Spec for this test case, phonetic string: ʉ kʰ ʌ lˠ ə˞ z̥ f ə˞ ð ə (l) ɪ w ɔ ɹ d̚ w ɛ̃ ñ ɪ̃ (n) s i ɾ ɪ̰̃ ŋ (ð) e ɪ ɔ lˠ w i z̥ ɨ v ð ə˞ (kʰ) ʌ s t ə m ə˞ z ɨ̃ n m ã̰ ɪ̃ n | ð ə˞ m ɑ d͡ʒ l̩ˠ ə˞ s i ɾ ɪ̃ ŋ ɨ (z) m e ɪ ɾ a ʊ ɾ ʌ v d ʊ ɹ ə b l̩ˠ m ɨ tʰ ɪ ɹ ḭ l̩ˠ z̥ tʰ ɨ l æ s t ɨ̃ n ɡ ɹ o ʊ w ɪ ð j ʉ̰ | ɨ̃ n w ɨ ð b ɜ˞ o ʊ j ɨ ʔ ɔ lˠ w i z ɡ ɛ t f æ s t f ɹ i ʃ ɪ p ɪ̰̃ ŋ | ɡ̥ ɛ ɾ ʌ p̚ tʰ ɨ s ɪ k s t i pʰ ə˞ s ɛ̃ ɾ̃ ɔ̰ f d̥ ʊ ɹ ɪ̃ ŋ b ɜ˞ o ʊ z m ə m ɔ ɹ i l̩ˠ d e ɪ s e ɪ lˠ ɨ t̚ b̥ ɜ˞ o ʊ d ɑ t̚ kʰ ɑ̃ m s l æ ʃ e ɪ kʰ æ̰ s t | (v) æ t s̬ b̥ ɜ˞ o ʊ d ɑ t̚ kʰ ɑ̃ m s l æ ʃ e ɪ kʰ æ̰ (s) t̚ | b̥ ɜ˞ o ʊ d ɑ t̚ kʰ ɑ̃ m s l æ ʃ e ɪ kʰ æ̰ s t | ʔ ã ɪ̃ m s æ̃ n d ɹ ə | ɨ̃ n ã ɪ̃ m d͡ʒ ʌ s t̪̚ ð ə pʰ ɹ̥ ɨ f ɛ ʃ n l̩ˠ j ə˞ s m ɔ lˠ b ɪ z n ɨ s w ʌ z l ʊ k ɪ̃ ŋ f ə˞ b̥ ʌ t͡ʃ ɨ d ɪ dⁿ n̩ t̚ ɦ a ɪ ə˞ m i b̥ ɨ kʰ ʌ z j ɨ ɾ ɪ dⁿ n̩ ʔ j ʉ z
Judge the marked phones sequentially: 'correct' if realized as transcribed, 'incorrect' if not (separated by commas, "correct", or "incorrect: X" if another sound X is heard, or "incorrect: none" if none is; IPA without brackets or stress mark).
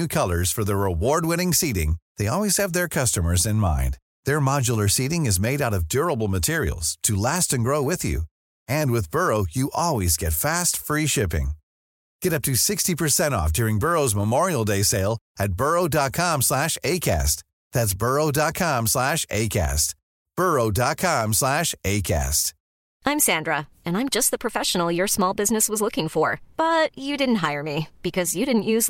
incorrect: ɹ, incorrect: ŋ, correct, correct, correct, incorrect: ð, correct